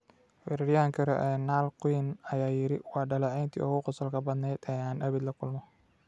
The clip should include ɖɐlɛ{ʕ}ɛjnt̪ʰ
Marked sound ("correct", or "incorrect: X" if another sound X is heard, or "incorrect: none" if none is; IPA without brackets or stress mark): correct